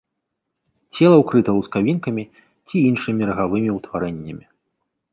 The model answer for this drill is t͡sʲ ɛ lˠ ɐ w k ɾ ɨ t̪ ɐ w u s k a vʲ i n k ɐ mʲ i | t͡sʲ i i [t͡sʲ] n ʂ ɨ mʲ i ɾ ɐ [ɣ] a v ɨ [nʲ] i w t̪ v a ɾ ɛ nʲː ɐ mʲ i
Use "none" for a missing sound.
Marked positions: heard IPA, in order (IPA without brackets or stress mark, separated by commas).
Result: none, ɣ, mʲ